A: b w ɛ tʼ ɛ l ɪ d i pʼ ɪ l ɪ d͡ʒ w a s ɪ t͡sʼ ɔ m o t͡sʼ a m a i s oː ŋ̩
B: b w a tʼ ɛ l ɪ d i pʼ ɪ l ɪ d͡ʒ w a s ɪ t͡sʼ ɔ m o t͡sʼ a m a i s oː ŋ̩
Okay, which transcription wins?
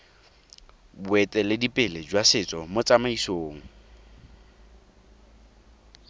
A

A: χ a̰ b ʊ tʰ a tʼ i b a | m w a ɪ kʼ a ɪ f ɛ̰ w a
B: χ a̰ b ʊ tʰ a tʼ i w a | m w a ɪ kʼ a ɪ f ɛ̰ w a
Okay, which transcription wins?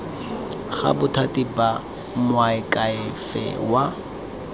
A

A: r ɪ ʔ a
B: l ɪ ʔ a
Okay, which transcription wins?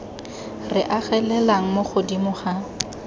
A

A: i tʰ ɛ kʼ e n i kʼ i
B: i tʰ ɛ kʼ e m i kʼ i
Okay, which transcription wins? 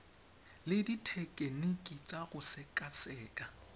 A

